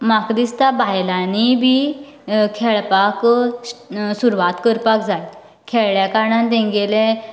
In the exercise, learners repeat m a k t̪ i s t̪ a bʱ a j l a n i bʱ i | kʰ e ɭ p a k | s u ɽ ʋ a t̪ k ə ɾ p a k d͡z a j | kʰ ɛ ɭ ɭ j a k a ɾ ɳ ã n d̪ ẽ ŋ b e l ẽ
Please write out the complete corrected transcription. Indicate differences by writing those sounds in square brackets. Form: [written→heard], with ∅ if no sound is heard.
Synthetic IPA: m a k [t̪→d̪] i s t̪ a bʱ a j l a n i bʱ i | kʰ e ɭ p a k | s u [ɽ→ɾ] ʋ a t̪ k ə ɾ p a k d͡z a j | kʰ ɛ ɭ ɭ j a k a ɾ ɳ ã n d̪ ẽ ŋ [b→ɡ] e l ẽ